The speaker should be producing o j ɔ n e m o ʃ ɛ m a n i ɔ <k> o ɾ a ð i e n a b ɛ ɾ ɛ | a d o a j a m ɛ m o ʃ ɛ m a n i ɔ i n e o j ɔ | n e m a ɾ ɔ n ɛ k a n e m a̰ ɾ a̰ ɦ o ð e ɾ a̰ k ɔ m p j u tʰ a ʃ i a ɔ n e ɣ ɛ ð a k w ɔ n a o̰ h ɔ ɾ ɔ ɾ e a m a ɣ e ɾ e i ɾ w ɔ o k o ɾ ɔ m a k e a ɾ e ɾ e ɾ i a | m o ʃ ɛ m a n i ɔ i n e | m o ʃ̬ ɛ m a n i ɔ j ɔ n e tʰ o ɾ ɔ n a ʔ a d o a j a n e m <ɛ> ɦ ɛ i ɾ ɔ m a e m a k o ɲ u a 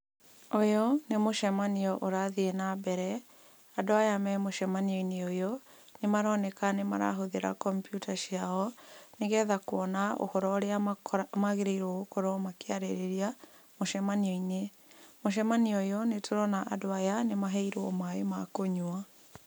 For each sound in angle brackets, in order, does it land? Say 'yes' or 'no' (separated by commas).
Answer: no, no